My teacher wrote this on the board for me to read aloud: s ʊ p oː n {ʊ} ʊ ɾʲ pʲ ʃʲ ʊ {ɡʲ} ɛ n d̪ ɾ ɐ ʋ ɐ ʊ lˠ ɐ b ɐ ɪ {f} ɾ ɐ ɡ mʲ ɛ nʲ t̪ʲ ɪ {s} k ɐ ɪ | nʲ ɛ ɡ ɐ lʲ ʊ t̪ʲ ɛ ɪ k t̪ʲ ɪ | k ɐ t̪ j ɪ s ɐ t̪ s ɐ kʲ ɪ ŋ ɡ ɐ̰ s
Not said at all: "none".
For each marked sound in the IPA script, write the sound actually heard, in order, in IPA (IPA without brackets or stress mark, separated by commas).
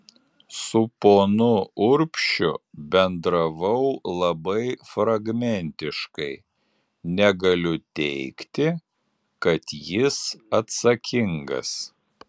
ʊ, bʲ, f, ʃ